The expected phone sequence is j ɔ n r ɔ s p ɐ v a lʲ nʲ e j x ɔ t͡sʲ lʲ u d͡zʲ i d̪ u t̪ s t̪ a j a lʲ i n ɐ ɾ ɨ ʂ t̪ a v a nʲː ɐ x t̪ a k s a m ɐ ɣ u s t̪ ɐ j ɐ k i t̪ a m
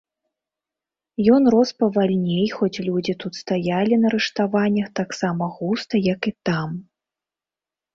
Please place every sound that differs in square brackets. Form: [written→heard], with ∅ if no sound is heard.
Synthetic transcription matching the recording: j ɔ n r ɔ s p ɐ v a lʲ nʲ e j x ɔ t͡sʲ lʲ u d͡zʲ i [d̪→t̪] u t̪ s t̪ a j a lʲ i n ɐ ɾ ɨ ʂ t̪ a v a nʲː ɐ x t̪ a k s a m ɐ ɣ u s t̪ ɐ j ɐ k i t̪ a m